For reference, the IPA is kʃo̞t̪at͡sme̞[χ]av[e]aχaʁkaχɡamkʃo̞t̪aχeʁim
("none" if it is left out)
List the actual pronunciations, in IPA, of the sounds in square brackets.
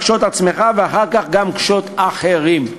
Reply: χ, e

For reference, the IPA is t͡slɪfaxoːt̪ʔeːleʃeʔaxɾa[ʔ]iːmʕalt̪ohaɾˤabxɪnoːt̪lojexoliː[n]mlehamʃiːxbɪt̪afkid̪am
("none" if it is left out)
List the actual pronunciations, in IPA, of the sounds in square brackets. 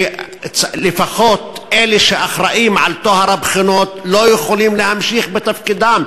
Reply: ʔ, none

